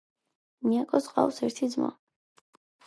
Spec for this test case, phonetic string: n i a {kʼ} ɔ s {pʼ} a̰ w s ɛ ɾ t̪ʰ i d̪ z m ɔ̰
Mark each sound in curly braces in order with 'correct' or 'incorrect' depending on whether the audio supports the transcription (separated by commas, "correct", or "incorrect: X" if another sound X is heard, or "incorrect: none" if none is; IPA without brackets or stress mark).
correct, incorrect: qʼ